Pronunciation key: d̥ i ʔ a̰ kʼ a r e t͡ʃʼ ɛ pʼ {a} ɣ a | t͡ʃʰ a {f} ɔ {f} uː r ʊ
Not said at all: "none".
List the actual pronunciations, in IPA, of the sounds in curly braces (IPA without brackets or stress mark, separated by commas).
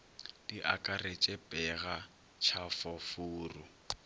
ɛ, f, f